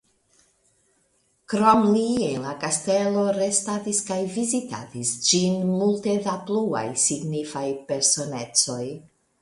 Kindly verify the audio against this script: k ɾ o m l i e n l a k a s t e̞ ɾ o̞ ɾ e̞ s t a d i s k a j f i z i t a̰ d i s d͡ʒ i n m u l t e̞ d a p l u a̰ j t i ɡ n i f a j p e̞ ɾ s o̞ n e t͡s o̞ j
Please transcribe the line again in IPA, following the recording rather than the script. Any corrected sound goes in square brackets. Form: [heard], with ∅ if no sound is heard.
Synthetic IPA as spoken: k ɾ o m l i e n l a k a s t e̞ [l] o̞ ɾ e̞ s t a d i s k a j [v] i z i t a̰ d i s d͡ʒ i n m u l t e̞ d a p l u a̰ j [s] i ɡ n i f a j p e̞ ɾ s o̞ n e t͡s o̞ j